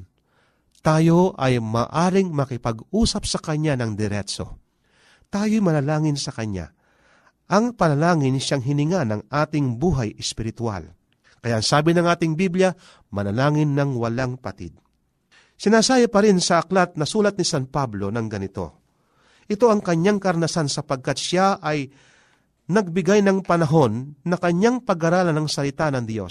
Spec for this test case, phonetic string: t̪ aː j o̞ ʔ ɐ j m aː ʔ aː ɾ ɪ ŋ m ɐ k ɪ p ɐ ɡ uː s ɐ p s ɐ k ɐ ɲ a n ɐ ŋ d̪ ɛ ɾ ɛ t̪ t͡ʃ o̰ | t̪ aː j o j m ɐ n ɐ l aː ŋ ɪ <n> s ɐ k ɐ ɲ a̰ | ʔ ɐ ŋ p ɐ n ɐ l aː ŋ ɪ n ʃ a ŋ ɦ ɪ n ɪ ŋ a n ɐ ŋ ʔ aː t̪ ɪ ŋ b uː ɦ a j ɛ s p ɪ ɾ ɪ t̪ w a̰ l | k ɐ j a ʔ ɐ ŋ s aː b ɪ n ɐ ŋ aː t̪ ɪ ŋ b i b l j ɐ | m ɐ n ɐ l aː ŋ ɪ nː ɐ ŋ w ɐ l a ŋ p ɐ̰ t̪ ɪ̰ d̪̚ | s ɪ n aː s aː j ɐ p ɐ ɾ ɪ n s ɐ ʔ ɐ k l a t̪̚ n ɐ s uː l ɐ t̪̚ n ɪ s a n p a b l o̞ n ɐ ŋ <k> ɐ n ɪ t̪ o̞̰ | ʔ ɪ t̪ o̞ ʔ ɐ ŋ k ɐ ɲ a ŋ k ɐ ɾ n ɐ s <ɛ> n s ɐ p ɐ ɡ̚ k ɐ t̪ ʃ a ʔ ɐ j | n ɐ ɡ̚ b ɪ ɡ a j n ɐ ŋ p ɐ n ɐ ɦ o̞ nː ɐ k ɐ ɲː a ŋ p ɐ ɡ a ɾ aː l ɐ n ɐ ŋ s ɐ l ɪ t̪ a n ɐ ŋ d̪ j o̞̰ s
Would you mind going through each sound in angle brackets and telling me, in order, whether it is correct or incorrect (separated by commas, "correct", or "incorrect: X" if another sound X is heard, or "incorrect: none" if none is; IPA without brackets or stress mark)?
correct, incorrect: ɡ, incorrect: a